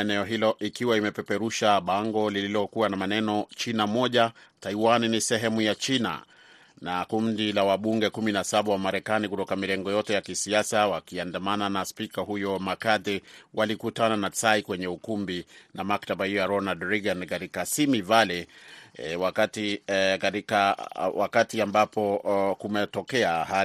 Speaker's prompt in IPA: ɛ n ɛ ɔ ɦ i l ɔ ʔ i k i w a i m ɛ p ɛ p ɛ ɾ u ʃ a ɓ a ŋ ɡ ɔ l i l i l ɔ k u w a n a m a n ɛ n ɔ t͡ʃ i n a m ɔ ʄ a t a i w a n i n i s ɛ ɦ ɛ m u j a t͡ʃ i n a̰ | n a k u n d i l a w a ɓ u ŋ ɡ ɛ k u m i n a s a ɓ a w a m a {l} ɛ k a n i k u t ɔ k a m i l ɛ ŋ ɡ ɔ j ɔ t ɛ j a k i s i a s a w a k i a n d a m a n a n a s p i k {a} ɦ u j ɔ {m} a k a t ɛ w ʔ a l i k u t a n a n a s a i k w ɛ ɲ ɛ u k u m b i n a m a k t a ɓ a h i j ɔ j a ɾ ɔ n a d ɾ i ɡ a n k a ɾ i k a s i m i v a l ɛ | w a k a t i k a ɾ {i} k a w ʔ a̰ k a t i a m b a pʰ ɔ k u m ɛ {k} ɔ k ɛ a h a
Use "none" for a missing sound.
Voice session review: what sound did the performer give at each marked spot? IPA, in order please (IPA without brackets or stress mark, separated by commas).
ɾ, a, m, i, t